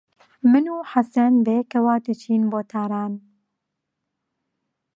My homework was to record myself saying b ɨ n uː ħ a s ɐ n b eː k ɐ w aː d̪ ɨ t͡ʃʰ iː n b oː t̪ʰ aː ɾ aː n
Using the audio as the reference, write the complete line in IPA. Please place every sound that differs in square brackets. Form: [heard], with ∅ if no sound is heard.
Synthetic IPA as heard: [m] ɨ n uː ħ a s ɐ n b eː k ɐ w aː d̪ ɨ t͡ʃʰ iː n b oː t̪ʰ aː ɾ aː n